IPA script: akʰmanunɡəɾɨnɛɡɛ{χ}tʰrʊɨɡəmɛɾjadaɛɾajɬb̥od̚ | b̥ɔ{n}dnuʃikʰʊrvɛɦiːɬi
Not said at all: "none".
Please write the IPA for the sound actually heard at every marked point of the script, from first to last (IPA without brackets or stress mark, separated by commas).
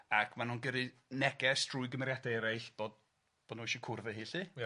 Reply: s, none